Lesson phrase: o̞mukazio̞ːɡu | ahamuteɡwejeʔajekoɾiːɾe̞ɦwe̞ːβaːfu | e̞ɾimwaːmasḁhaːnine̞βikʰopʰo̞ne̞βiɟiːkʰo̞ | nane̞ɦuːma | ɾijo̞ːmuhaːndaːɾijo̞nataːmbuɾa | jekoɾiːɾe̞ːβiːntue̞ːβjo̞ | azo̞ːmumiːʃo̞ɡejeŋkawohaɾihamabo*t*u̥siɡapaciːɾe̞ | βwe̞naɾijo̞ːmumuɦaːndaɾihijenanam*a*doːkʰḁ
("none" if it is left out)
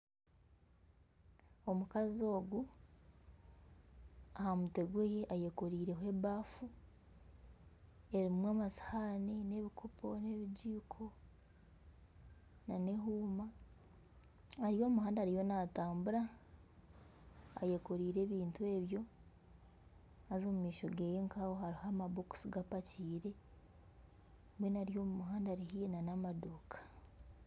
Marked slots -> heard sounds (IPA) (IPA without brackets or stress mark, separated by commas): k, a